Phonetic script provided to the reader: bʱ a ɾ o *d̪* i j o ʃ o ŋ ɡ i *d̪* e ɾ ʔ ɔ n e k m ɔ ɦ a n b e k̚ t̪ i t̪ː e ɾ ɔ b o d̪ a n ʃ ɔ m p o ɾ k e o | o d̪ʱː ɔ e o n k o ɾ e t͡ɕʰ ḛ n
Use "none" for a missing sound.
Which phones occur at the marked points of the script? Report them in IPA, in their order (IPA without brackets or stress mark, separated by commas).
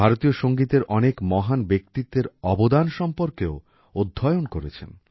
t̪, t̪